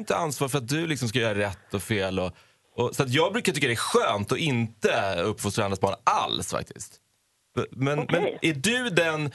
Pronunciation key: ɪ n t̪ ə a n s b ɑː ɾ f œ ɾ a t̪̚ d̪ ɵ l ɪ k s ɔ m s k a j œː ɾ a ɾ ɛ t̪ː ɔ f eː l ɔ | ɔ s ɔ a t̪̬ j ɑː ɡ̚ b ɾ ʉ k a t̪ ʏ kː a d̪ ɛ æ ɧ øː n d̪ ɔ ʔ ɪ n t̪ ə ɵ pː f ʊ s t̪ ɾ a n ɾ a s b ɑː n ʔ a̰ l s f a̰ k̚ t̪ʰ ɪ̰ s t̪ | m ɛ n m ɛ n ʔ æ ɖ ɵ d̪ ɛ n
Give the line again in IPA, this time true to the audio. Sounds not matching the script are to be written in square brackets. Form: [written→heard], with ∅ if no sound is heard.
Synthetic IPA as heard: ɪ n t̪ ə a n s [b→v] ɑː ɾ f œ ɾ a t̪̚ d̪ ɵ l ɪ k s ɔ m s k a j œː ɾ a ɾ ɛ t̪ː ɔ f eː l ɔ | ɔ s ɔ a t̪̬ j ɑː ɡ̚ b ɾ ʉ k a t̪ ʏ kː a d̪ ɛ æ ɧ øː n [d̪→t̪] ɔ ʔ ɪ n t̪ ə ɵ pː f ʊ s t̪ ɾ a n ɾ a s b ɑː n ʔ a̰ l s f a̰ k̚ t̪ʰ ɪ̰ s t̪ | m ɛ n m ɛ n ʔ æ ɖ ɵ d̪ ɛ n